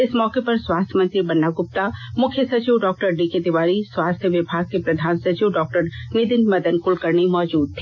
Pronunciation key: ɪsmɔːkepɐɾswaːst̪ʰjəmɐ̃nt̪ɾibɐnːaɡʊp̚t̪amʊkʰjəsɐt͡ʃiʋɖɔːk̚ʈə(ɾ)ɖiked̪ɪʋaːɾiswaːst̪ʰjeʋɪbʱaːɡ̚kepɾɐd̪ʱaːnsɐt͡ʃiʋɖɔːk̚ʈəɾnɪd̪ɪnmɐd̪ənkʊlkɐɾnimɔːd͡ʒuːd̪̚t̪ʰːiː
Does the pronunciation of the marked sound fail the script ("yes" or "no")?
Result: no